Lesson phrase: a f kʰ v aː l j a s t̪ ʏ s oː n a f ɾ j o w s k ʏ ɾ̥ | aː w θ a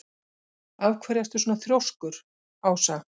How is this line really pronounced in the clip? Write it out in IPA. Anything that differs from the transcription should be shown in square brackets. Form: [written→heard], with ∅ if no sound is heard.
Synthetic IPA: a [f→v] kʰ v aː [l→ɾ] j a s t̪ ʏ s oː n a [f→θ] ɾ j o w s k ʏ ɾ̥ | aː w [θ→s] a